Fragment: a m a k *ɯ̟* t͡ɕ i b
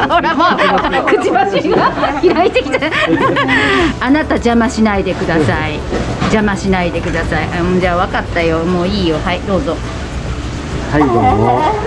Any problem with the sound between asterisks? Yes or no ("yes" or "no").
no